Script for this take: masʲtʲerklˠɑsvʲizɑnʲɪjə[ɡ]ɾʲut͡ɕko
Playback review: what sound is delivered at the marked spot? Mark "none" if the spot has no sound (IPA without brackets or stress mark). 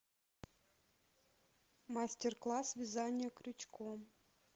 k